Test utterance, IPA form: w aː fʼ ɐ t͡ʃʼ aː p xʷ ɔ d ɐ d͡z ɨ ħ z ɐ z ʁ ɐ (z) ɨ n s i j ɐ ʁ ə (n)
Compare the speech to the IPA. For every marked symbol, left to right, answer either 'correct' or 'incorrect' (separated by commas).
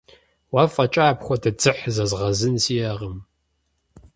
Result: correct, incorrect